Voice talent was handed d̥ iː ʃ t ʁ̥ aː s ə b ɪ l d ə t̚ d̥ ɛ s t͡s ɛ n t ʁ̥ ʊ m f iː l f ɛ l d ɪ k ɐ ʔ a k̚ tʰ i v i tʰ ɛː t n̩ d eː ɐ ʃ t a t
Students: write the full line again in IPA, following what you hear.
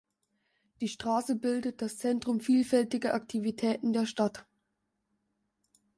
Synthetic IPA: d̥ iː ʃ t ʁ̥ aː s ə b ɪ l d ə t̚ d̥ a s t͡s ɛ n t ʁ̥ ʊ m f iː l f ɛ l t ɪ ɡ ɐ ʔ a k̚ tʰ i v i tʰ ɛː t n̩ d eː ɐ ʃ t a t